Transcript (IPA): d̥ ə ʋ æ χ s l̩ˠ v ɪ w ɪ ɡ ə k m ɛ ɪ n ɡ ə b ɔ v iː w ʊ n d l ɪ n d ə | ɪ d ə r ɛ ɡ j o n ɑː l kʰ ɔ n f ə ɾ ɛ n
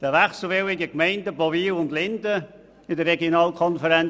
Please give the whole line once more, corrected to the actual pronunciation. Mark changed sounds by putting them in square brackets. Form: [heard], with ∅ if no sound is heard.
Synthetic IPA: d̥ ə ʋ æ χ s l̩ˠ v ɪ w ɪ ɡ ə k m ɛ ɪ n [d] ə b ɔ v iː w ʊ n d l ɪ n d ə | ɪ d ə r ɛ ɡ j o n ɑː l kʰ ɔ n f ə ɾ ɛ n